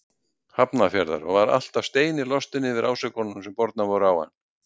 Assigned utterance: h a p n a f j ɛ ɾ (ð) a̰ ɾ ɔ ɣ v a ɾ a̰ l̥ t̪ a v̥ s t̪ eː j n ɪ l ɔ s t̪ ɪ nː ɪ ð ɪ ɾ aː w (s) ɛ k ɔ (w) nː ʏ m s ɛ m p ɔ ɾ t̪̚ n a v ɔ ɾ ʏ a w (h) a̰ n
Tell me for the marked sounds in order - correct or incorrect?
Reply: correct, correct, incorrect, correct

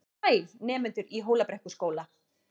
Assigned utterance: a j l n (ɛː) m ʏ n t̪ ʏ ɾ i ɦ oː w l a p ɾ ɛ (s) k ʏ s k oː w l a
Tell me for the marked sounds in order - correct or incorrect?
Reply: correct, incorrect

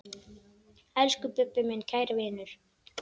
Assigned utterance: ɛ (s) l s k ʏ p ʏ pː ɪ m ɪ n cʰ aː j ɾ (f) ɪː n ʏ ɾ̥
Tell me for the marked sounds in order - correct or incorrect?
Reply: incorrect, incorrect

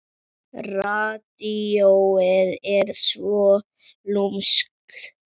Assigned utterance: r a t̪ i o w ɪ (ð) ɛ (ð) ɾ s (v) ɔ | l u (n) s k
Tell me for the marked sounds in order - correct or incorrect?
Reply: correct, incorrect, correct, incorrect

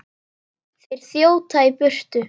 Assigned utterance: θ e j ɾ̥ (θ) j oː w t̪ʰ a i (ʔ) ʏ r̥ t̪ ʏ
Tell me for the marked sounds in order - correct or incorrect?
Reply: correct, incorrect

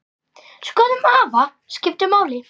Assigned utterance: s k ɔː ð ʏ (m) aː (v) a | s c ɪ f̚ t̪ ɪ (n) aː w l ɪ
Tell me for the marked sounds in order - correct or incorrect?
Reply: correct, correct, incorrect

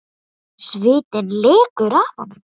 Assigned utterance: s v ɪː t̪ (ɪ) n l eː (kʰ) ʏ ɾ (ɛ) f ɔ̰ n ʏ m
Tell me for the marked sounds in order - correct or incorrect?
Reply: correct, incorrect, incorrect

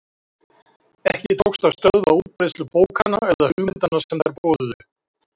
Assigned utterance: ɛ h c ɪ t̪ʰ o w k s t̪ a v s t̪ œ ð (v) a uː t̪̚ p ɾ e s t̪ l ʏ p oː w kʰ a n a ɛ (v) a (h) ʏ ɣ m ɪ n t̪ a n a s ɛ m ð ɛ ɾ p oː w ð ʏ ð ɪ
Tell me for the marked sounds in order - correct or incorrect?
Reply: correct, incorrect, correct

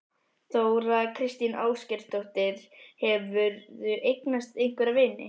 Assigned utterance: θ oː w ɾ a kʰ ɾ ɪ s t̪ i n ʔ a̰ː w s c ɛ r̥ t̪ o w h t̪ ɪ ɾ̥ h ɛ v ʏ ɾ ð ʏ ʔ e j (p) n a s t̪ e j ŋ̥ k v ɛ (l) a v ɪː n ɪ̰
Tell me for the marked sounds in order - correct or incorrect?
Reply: incorrect, incorrect

